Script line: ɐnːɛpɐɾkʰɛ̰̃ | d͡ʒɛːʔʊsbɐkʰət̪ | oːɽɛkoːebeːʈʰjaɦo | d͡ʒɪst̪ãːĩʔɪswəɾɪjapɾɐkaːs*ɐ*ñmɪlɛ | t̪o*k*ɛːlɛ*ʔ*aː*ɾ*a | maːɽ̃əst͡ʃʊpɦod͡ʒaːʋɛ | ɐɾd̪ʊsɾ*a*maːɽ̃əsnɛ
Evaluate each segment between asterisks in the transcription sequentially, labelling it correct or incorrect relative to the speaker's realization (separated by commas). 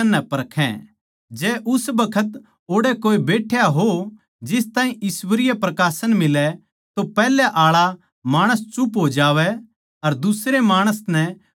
incorrect, incorrect, correct, incorrect, incorrect